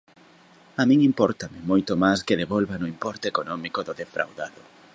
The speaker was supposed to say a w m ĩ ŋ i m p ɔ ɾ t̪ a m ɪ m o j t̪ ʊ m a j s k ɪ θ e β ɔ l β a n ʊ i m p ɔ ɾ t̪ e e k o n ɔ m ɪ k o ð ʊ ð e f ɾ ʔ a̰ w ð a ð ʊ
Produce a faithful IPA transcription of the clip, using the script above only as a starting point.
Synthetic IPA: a m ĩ ŋ i m p ɔ ɾ t̪ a m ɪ m o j t̪ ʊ m a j s k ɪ ð e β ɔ l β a n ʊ i m p ɔ ɾ t̪ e e k o n ɔ m i k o ð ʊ ð e f ɾ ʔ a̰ w ð a ð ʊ